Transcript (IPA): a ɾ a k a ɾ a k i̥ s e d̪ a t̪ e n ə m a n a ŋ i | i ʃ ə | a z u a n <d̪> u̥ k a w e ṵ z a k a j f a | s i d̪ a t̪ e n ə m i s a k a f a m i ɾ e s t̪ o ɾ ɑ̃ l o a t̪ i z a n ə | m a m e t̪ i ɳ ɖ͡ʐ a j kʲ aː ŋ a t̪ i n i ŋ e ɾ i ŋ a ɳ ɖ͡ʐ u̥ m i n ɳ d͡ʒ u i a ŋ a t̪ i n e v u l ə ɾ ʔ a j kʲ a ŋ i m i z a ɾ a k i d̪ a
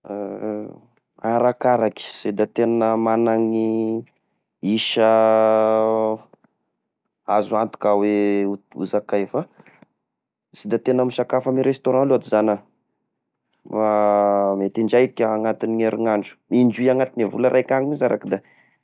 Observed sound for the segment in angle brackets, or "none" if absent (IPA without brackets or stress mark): t̪